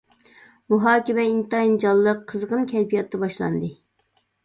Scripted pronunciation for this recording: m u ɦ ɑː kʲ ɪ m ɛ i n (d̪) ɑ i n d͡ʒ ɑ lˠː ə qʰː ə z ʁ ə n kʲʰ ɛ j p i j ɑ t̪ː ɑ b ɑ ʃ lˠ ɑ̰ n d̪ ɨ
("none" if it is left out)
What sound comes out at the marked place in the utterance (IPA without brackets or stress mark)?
t̪